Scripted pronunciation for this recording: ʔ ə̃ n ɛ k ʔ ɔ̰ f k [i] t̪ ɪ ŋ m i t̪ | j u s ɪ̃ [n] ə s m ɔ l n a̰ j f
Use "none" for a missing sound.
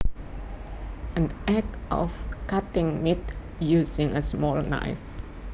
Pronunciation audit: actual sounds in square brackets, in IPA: a, ŋ

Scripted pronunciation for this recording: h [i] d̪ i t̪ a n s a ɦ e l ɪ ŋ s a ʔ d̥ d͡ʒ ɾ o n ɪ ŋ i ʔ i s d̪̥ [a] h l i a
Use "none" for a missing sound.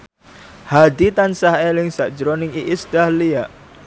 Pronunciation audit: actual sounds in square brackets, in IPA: a, a

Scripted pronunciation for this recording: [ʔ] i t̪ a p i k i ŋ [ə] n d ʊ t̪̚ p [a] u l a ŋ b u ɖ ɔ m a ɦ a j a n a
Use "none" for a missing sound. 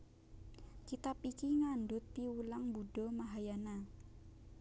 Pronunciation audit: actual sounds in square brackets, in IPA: k, a, i

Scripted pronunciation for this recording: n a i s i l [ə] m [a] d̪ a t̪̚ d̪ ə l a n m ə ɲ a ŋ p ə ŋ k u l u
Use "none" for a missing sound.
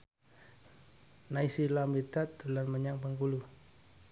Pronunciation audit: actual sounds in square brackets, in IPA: a, i

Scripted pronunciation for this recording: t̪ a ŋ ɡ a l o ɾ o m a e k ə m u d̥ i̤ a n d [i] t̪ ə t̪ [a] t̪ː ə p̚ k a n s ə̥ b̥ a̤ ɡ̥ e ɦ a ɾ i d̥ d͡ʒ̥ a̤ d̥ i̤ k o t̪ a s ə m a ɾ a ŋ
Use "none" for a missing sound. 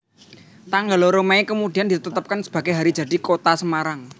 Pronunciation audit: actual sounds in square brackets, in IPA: i, ə

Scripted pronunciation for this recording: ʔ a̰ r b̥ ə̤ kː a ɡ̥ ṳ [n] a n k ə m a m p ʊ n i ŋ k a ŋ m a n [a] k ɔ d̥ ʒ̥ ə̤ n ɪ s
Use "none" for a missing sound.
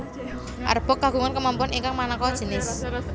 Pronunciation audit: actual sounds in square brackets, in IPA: ŋ, a

